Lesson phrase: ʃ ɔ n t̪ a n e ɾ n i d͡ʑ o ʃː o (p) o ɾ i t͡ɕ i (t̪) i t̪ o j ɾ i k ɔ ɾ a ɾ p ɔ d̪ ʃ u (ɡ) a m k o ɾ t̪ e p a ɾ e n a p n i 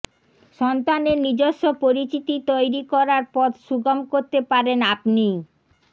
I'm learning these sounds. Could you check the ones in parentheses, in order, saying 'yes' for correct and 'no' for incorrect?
yes, yes, yes

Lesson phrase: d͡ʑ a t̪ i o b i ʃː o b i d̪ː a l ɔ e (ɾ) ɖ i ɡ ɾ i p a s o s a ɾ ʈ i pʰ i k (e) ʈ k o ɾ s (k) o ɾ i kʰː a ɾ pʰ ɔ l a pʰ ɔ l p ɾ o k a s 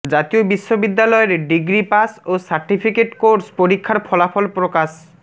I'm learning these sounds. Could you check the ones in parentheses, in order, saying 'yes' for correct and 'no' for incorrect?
yes, yes, no

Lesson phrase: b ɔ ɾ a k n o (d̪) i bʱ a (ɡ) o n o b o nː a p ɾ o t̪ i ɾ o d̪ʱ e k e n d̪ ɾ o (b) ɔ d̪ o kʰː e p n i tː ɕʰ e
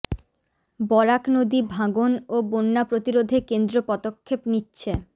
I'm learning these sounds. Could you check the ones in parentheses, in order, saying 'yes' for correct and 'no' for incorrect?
yes, yes, no

